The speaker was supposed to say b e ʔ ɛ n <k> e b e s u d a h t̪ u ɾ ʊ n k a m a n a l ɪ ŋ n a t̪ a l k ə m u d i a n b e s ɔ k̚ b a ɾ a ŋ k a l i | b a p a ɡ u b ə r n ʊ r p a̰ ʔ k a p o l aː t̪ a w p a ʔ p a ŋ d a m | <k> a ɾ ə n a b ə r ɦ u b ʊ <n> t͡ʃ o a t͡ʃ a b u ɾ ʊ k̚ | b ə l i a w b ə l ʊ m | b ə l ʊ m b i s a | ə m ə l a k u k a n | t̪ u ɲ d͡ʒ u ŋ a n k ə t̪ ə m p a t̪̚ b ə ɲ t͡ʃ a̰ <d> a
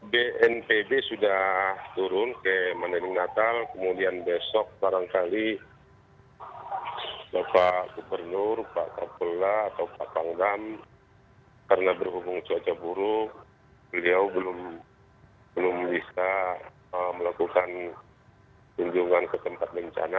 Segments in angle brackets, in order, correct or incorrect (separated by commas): incorrect, correct, incorrect, incorrect